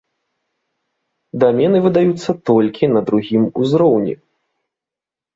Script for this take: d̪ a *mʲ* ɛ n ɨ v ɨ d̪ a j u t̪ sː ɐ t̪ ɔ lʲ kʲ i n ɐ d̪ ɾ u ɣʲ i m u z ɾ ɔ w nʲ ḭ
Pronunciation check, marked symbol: correct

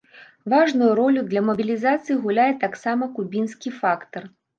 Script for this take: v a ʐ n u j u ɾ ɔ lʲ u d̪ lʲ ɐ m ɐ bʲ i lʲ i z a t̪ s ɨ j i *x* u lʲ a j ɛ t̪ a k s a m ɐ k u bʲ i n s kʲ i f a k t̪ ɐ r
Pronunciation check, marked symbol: incorrect: ɣ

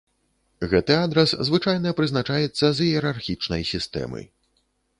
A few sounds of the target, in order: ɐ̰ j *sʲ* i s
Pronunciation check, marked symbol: correct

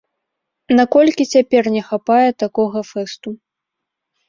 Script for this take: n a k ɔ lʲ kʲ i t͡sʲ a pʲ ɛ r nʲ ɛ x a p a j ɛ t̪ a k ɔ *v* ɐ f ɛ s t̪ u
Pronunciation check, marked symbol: incorrect: ɣ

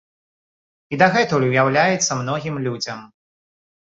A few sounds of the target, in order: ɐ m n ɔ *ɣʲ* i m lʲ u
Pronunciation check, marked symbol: correct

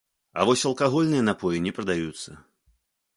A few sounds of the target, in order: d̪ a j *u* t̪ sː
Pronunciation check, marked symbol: correct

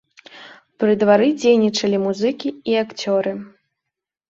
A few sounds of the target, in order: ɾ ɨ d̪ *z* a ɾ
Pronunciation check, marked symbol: incorrect: v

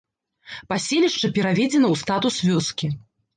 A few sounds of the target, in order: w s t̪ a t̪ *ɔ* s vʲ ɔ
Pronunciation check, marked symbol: incorrect: u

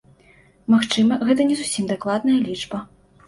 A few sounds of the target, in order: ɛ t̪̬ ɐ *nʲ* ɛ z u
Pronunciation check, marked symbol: correct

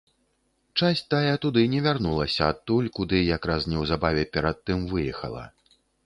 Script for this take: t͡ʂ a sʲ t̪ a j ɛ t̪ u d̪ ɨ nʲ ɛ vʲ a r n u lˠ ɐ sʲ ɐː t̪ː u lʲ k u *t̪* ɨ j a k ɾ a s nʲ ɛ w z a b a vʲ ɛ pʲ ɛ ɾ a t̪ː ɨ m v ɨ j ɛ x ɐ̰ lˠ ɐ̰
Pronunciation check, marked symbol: incorrect: d̪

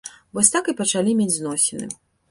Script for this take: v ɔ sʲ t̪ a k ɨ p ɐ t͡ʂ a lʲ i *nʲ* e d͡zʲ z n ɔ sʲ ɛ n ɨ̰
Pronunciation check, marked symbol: incorrect: mʲ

